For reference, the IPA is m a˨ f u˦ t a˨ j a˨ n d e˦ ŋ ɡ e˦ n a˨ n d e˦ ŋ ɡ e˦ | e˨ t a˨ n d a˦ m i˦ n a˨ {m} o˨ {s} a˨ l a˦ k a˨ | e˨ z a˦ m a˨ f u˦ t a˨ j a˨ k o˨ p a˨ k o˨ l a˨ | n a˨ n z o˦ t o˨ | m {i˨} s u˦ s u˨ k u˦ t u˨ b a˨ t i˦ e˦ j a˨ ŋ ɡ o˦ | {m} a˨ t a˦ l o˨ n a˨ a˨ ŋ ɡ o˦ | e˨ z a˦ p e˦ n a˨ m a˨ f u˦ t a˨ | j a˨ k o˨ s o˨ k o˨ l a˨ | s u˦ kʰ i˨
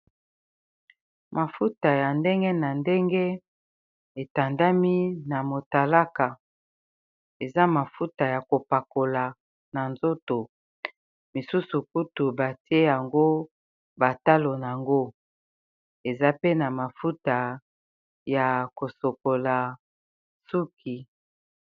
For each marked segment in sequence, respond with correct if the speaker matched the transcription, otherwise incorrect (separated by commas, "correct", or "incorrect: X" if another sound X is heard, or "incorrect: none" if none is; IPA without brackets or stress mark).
correct, incorrect: t, correct, incorrect: b